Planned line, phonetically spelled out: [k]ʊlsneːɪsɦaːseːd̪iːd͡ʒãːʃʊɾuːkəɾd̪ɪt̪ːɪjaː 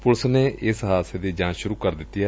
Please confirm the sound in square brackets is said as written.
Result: no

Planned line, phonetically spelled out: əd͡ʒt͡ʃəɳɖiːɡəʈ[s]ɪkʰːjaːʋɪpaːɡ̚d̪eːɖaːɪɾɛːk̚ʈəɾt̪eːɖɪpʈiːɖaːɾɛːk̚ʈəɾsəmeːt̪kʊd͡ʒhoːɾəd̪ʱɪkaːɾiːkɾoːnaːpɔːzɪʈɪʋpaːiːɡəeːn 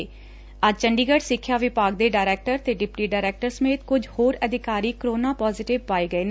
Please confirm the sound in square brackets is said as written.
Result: yes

